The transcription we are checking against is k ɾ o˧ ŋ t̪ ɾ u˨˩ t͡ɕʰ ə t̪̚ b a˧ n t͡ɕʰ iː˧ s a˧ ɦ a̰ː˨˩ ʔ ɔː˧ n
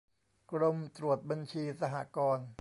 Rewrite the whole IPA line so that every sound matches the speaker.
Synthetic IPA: k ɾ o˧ m t̪ ɾ u˨˩ ə t̪̚ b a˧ n t͡ɕʰ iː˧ s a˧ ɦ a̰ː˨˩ k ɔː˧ n